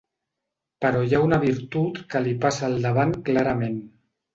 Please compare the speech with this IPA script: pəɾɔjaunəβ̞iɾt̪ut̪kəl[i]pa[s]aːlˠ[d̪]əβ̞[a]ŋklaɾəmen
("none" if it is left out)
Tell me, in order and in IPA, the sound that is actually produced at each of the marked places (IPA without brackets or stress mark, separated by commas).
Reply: i, s, d̪, a